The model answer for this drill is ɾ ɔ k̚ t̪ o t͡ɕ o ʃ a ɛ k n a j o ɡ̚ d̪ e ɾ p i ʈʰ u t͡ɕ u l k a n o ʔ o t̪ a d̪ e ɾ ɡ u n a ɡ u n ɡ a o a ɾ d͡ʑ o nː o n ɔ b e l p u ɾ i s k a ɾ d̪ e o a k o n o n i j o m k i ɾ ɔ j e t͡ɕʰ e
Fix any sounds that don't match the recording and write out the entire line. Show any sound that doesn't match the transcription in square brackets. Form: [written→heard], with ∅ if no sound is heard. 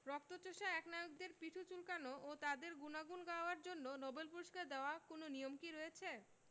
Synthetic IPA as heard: ɾ ɔ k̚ t̪ o t͡ɕ o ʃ a ɛ k n a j o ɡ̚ d̪ e ɾ p i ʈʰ u t͡ɕ u l k a n o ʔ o t̪ a d̪ e ɾ ɡ u n a ɡ u n ɡ a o a ɾ d͡ʑ o nː o n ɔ b e l p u ɾ i [s→ʃ] k a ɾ d̪ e o a k o n o n i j o m k i ɾ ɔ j e t͡ɕʰ e

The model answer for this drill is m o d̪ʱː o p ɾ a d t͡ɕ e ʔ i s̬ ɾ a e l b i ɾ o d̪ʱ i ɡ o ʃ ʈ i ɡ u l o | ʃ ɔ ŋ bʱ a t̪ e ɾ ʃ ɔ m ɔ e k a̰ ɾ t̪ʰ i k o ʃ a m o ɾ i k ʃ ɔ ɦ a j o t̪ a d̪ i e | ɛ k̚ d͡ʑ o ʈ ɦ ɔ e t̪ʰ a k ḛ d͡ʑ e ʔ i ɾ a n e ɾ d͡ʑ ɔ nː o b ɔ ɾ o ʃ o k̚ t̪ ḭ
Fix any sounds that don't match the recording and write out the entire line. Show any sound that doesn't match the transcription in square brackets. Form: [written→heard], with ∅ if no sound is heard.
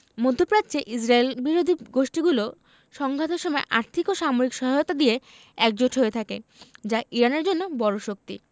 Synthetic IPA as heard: m o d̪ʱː o p ɾ a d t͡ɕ e ʔ i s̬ ɾ a e l b i ɾ o d̪ʱ i ɡ o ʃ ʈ i ɡ u l o | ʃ ɔ ŋ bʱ a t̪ e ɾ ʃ ɔ m ɔ e [k→ʔ] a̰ ɾ t̪ʰ i k o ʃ a m o ɾ i k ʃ ɔ ɦ a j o t̪ a d̪ i e | ɛ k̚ d͡ʑ o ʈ ɦ [ɔ→o] e t̪ʰ a k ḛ d͡ʑ [e→a] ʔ i ɾ a n e ɾ d͡ʑ [ɔ→o] nː o b ɔ ɾ o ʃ o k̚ t̪ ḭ

